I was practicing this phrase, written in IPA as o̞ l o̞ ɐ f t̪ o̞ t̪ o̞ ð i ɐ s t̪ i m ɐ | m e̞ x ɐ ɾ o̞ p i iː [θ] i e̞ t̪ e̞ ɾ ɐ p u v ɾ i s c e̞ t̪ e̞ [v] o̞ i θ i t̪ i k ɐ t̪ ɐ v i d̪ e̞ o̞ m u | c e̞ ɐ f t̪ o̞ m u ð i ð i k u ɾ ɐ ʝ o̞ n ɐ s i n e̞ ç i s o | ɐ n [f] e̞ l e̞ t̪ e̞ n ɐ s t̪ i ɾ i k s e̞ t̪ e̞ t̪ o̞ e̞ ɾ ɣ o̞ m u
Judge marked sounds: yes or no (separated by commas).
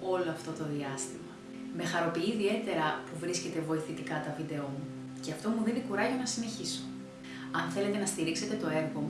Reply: no, yes, no